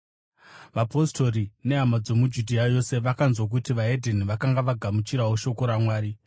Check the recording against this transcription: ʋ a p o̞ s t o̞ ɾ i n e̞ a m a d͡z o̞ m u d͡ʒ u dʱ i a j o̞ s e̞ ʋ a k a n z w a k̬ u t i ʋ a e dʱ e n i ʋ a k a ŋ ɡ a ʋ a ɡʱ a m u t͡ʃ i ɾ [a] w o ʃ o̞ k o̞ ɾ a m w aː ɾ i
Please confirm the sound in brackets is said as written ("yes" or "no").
yes